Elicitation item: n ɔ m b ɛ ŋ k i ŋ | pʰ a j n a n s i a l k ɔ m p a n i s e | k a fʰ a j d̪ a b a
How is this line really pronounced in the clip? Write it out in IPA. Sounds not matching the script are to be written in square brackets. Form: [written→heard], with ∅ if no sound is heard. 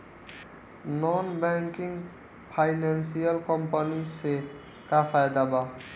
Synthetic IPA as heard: n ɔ [m→n] b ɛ ŋ k i ŋ | pʰ a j n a n s i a l k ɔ m p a n i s e | k a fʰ a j d̪ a b a